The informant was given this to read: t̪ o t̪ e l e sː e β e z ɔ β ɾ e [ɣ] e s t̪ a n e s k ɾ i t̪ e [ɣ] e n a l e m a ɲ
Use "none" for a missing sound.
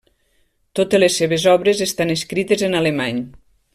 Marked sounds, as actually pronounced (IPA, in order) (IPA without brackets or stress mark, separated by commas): z, z